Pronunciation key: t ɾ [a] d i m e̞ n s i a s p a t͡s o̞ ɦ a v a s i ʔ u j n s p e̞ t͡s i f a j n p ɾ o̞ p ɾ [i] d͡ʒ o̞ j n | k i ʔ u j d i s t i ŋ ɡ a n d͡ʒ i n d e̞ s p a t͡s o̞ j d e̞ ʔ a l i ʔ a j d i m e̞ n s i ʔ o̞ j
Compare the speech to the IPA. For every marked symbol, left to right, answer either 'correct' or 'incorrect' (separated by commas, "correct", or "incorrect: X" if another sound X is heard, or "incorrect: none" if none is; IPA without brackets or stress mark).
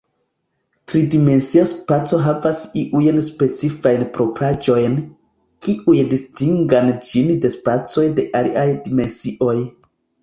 incorrect: i, incorrect: a